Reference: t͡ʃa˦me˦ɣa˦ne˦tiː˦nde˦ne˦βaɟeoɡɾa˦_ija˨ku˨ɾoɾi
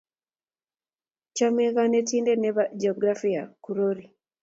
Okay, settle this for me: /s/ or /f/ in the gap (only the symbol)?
f